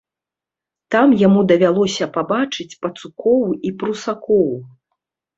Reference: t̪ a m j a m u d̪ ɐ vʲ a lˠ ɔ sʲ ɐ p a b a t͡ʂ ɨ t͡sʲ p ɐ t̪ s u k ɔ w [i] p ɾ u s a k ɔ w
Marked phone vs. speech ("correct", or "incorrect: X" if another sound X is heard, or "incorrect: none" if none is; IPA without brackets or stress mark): correct